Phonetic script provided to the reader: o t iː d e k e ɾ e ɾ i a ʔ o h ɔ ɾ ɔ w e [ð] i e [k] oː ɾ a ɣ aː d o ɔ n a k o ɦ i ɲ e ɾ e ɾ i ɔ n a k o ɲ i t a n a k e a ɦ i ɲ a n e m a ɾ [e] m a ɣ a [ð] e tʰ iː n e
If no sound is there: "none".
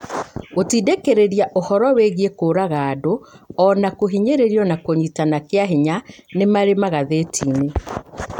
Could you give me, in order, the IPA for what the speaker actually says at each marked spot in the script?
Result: ɣ, k, e, ð

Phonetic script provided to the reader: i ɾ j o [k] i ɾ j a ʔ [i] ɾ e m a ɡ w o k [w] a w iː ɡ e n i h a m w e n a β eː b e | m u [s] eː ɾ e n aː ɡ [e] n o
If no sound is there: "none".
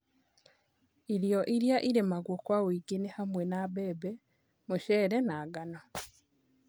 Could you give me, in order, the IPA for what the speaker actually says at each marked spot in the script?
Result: ʔ, i, w, ʃ, a

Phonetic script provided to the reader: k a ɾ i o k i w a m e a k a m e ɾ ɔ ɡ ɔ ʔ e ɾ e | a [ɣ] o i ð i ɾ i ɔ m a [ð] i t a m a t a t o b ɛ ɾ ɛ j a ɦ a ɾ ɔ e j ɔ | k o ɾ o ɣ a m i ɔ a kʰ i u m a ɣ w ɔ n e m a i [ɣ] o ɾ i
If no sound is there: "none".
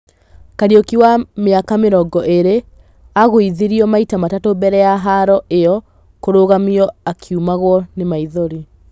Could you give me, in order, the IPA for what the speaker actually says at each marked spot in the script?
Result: ɣ, none, ð

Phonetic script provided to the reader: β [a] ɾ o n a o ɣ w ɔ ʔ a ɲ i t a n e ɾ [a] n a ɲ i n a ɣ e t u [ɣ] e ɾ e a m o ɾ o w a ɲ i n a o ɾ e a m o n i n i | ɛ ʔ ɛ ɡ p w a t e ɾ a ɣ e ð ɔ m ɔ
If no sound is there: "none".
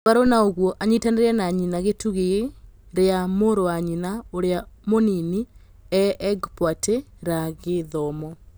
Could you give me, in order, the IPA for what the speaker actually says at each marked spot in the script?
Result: a, ɛ, ɣ

